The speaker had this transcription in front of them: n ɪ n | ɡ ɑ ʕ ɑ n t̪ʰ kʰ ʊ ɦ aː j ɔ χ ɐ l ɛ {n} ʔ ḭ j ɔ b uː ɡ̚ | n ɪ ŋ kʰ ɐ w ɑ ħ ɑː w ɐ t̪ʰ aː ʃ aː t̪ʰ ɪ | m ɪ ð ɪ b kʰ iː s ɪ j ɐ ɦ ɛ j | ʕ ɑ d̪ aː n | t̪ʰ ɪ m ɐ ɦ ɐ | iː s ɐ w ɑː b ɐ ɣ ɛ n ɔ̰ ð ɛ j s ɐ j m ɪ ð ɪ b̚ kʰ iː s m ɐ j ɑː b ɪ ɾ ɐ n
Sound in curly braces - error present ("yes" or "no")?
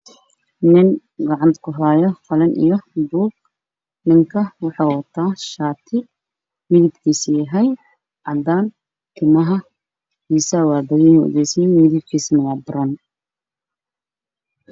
no